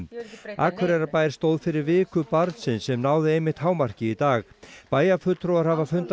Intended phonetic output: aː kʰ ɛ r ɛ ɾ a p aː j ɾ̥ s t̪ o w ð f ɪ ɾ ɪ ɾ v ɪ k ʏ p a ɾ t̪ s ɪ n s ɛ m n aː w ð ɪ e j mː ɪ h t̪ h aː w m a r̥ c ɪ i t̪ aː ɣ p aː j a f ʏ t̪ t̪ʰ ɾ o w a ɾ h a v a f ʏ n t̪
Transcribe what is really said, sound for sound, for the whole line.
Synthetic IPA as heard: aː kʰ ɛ ɾ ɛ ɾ a p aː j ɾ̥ s t̪ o w ð f ɪ ɾ ɪ ɾ v ɪː k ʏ p a ɾ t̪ s ɪ n s ɛ m n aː w ð ɪ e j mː ɪ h t̪ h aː w m a r̥ c ɪ i t̪ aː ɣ p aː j a f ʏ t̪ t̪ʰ ɾ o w a ɾ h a v a f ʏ n t̪